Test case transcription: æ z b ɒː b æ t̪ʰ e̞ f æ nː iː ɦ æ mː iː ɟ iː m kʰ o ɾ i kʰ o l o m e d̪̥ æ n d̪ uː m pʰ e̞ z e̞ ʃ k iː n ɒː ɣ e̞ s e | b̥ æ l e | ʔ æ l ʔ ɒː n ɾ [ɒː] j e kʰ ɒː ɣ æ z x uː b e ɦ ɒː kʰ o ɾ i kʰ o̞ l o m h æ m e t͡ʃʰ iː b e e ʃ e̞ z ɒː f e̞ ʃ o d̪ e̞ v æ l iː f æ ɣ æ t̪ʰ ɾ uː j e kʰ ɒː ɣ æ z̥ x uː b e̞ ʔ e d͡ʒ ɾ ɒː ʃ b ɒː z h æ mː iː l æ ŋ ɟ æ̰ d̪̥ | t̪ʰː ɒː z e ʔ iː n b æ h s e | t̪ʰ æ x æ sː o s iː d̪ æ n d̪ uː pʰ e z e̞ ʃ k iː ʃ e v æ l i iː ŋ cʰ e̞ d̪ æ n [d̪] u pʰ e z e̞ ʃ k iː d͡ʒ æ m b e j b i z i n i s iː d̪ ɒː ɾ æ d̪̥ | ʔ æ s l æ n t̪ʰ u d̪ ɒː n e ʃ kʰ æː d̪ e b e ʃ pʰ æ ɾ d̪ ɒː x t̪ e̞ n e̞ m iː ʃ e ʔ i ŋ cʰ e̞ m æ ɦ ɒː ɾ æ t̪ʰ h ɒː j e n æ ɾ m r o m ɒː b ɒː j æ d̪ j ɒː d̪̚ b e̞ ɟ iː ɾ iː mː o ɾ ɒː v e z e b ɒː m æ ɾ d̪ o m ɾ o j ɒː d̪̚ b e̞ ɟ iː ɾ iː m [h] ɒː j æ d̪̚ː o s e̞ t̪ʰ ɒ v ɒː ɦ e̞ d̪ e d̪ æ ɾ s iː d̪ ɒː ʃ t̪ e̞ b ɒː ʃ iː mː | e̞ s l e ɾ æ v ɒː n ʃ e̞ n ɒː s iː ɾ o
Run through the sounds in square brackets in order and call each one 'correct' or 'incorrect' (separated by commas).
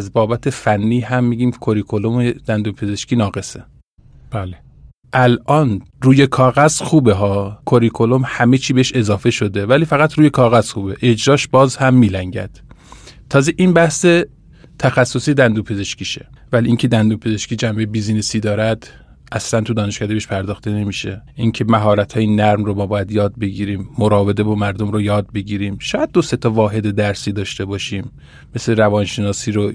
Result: incorrect, correct, incorrect